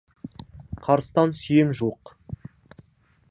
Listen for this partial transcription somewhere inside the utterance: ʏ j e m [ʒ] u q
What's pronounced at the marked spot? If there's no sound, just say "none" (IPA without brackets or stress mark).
ʒ